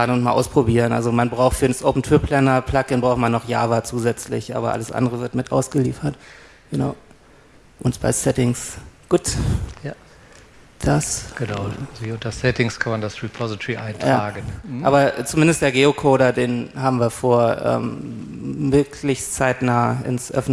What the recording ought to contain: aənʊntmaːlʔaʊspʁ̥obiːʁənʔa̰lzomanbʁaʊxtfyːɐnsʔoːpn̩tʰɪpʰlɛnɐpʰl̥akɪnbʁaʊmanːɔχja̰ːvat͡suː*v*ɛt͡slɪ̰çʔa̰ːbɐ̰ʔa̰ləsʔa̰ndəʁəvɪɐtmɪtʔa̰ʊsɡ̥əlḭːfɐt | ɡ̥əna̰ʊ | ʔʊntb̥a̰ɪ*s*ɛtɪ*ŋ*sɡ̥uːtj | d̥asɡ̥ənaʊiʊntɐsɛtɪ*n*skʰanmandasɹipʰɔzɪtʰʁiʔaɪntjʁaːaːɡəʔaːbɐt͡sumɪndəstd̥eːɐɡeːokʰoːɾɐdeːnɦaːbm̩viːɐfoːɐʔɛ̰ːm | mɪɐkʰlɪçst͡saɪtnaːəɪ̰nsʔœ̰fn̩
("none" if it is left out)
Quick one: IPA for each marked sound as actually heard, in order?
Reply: z, s, ŋ, ŋ

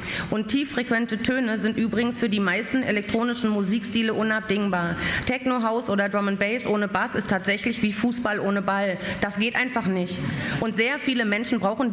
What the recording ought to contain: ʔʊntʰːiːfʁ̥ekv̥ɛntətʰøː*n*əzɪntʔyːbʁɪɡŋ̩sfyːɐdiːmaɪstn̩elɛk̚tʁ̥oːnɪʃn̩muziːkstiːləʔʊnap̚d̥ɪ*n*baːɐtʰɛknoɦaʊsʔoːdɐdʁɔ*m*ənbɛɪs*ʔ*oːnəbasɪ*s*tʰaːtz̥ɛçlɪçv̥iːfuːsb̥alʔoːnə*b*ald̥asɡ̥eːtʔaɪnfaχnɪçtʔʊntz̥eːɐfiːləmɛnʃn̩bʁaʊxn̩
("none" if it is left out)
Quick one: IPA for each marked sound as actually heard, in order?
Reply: n, ŋ, m, ʔ, s, b

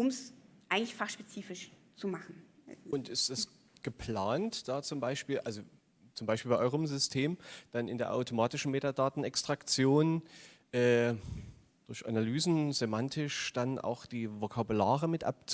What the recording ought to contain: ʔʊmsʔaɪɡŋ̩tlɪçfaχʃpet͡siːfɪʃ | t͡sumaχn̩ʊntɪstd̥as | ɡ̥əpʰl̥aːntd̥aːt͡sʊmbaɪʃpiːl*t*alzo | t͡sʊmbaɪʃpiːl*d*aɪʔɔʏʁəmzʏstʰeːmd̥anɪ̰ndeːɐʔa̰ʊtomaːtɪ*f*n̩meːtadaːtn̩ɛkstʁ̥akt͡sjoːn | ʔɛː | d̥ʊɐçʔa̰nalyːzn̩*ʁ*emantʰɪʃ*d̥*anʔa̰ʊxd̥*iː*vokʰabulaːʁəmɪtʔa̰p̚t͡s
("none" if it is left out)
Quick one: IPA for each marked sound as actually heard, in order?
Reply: ʔ, b, ʃ, z, d̥, iː

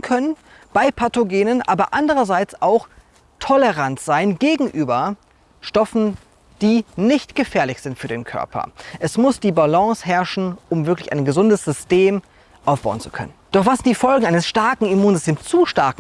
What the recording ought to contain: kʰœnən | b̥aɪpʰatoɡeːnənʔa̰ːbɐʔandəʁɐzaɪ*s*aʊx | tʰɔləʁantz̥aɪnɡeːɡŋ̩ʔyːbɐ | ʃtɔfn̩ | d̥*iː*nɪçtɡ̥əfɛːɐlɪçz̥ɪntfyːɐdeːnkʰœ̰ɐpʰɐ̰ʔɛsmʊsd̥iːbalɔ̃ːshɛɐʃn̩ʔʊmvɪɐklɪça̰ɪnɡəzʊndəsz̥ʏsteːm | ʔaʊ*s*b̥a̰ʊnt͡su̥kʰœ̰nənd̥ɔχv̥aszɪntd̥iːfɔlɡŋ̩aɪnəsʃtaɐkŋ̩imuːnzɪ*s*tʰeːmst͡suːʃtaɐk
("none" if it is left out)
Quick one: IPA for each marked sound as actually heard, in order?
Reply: t͡s, iː, f, s

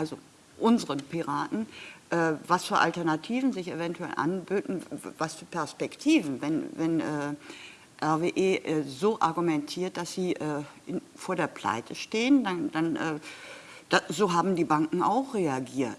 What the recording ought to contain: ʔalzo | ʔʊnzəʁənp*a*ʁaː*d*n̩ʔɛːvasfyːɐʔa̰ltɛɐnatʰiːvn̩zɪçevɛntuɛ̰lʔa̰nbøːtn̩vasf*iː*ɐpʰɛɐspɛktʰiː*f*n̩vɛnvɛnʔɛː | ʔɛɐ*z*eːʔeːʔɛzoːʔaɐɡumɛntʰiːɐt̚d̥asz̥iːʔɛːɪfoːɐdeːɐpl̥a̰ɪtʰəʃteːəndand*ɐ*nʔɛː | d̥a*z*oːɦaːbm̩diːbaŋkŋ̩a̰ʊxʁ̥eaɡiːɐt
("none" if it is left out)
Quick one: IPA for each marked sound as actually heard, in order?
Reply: i, t, yː, v, v, a, z

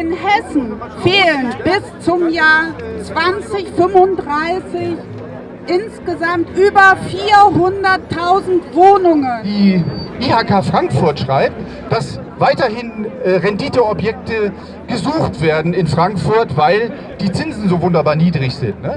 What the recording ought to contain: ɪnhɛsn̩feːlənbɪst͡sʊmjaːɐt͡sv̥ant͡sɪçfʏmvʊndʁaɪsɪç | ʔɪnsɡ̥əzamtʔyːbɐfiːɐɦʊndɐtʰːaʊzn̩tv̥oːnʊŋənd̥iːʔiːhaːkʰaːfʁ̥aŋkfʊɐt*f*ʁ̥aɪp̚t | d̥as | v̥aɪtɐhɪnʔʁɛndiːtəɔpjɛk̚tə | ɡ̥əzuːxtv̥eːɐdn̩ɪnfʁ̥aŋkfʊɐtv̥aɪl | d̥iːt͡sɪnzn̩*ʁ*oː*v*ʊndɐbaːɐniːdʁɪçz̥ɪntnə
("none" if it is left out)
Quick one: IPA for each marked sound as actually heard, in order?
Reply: ʃ, z, v

